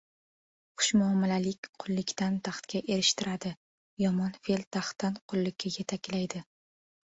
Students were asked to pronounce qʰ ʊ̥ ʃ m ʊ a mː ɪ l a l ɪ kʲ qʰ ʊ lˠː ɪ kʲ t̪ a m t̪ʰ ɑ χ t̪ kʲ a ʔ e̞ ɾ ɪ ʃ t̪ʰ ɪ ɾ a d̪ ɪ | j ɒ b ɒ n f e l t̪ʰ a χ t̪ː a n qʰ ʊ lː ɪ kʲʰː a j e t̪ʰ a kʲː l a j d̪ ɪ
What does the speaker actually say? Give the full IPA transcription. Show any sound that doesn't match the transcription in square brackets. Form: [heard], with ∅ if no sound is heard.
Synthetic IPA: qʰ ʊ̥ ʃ m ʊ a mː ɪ l a l ɪ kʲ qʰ ʊ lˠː ɪ kʲ t̪ a [n] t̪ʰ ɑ χ t̪ kʲ a ʔ e̞ ɾ ɪ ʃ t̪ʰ ɪ ɾ a d̪ ɪ | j ɒ [m] ɒ n f e l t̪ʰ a χ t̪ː a n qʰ ʊ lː ɪ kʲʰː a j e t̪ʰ a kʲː l a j d̪ ɪ